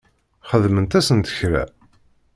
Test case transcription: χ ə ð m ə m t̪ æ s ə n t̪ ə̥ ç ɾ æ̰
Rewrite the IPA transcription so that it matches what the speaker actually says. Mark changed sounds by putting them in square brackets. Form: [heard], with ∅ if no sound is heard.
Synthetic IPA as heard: χ ə ð m ə [n] t̪ æ s ə n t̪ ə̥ ç ɾ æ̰